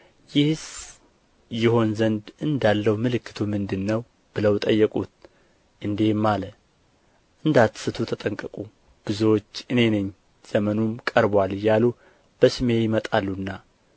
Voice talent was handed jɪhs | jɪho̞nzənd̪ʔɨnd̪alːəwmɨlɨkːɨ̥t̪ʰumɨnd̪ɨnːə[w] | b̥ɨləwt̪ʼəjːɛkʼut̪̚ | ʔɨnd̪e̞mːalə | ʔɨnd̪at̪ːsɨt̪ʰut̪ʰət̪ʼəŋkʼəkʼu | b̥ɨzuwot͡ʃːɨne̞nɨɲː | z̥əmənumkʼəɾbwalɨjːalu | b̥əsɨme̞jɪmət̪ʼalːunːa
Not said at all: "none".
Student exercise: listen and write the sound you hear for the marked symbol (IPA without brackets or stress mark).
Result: w